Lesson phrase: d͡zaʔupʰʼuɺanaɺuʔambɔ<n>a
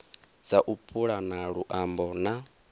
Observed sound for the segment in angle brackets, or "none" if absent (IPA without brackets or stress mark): n